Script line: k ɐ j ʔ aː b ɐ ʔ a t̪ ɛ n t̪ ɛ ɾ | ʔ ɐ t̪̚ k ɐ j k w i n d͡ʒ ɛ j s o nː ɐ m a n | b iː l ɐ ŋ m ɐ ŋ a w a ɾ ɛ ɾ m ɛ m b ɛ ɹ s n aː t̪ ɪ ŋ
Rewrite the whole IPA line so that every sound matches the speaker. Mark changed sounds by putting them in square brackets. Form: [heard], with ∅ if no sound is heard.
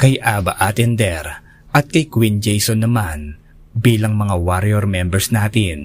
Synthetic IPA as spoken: k ɐ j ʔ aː b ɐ ʔ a t̪ ɛ n [d̪] ɛ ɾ | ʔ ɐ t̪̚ k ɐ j k w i n d͡ʒ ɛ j s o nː ɐ m a n | b iː l ɐ ŋ m ɐ ŋ a w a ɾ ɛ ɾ m ɛ m b ɛ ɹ s n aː t̪ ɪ [n]